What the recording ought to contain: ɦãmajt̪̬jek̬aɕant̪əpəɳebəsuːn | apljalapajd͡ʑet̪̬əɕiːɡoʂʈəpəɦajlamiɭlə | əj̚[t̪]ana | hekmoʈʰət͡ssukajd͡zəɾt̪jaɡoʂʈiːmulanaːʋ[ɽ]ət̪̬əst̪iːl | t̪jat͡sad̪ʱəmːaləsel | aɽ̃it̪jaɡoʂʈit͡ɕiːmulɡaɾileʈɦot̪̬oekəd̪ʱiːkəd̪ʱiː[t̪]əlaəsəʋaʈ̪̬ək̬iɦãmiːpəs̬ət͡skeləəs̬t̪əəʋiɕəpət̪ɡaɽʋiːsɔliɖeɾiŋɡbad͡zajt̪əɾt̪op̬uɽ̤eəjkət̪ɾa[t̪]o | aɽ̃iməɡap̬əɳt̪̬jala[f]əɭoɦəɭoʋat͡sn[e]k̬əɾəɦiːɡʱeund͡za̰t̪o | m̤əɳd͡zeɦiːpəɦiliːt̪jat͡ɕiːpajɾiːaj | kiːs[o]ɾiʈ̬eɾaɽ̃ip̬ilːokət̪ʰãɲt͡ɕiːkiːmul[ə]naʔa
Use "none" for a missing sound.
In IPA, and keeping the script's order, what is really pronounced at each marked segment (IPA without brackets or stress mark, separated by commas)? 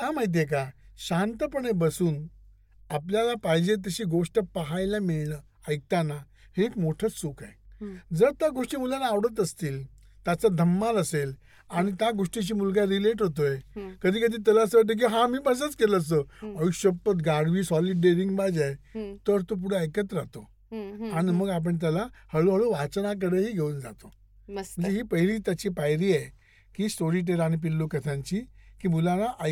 t̪, ɽ, t̪, t̪, h, a, o, a